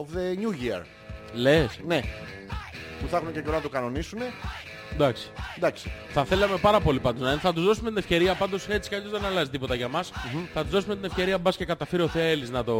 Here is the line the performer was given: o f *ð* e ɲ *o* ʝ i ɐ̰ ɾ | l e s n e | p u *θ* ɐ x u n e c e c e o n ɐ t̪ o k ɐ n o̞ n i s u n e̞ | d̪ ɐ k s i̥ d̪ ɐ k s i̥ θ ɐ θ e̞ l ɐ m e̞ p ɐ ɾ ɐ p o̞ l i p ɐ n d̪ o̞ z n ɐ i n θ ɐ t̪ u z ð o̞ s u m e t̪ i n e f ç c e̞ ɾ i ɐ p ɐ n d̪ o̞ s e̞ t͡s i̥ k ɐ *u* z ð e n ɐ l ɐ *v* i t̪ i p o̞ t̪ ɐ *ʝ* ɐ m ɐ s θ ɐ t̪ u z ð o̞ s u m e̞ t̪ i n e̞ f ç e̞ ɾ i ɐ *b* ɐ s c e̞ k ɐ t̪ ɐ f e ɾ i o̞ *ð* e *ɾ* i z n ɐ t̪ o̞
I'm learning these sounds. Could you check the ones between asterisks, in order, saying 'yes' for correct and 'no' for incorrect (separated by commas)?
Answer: yes, no, yes, no, no, yes, yes, no, no